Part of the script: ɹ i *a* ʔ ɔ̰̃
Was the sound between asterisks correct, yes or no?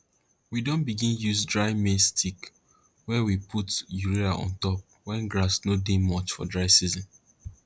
yes